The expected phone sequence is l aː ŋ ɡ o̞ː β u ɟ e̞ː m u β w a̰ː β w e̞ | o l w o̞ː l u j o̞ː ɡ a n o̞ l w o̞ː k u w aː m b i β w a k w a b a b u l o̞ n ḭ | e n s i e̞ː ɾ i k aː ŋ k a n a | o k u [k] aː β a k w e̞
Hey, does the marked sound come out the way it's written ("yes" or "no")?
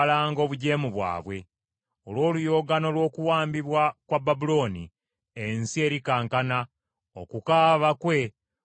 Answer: yes